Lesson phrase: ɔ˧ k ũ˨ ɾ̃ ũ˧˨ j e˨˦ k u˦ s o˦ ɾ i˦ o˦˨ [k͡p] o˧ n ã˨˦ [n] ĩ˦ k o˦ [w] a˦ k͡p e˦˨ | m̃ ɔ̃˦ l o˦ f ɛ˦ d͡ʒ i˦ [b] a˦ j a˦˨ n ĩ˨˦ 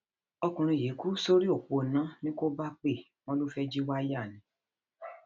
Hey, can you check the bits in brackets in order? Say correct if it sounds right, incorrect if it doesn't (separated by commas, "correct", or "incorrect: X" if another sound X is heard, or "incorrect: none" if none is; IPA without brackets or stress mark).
correct, correct, incorrect: b, incorrect: w